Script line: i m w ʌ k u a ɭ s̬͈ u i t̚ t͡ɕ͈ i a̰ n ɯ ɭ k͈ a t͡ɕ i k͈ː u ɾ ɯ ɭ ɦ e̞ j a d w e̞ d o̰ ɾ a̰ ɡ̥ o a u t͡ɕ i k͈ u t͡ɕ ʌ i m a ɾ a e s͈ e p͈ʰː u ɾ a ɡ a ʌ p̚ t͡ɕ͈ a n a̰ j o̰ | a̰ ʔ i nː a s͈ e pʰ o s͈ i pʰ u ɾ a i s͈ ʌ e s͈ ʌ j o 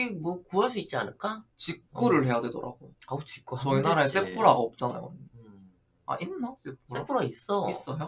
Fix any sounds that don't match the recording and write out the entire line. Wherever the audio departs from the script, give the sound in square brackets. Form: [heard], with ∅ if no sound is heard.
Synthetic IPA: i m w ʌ k u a ɭ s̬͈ u i t̚ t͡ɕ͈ i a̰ n ɯ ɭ k͈ a t͡ɕ i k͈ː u ɾ ɯ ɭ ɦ e̞ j a d w e̞ d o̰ ɾ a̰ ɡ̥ o a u t͡ɕ i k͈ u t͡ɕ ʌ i [n] a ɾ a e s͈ e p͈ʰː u ɾ a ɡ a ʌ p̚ t͡ɕ͈ a n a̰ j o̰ | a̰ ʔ i nː a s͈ e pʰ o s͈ [e] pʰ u ɾ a i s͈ ʌ [i] s͈ ʌ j o